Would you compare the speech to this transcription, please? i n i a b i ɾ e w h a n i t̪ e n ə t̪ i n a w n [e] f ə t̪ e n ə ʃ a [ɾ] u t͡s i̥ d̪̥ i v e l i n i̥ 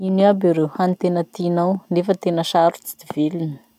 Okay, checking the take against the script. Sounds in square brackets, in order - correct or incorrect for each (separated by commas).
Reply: correct, correct